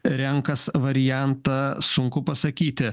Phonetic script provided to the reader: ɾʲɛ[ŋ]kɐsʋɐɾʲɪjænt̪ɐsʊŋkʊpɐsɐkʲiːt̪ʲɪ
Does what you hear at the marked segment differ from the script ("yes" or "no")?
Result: no